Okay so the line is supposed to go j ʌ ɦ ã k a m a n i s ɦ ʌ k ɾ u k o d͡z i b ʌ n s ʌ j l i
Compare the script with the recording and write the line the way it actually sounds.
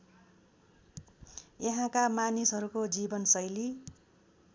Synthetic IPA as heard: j ʌ ɦ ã k a m a n i s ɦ ʌ ɾ u k o d͡z i b ʌ n s ʌ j l i

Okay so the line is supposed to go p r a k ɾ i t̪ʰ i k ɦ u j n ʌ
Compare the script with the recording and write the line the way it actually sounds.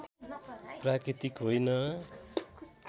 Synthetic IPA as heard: p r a k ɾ i t̪ i k ɦ o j n ʌ

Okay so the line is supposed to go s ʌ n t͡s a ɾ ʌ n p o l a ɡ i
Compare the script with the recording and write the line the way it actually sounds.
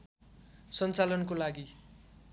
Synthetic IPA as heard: s ʌ n t͡s a l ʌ n k o l a ɡ i

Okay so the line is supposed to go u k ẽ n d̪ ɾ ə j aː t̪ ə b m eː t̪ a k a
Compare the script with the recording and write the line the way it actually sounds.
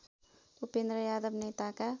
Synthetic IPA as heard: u p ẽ n d̪ ɾ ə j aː d̪ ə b n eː t̪ a k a

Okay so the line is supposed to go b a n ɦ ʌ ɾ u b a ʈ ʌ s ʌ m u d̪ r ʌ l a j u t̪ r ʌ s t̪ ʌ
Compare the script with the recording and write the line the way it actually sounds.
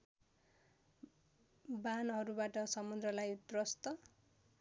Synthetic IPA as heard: b a n ɦ ʌ ɾ u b a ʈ ʌ s ʌ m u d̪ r ʌ l a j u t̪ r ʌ s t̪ ʌ

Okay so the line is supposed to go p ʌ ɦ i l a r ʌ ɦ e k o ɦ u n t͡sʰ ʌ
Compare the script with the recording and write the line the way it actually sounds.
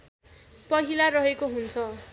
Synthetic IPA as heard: p ʌ ɦ i l a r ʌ ɦ e k o ɦ u n t͡sʰ ʌ

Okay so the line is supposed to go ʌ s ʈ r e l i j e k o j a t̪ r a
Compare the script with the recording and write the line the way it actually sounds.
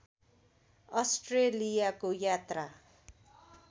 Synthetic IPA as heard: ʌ s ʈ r e l i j a k o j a t̪ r a

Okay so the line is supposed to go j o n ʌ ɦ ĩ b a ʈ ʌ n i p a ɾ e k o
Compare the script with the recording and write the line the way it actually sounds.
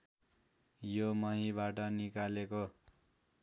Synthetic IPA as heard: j o m ʌ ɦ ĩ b a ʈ ʌ n i k a l e k o

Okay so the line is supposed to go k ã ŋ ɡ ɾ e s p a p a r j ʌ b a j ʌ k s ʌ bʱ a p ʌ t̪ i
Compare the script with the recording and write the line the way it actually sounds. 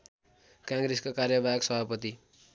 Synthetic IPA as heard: k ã ŋ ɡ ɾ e s k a k a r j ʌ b a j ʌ k s ʌ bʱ a p ʌ t̪ i

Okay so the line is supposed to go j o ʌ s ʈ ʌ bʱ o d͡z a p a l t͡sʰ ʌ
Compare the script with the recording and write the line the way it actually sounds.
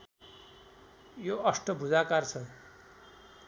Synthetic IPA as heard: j o ʌ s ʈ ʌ bʱ u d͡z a k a r t͡sʰ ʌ

